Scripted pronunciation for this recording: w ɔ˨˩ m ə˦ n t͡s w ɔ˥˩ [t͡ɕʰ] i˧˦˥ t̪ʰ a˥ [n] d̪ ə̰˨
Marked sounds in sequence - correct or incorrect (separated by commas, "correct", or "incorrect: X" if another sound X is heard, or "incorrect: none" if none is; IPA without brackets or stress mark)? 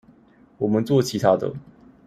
correct, incorrect: none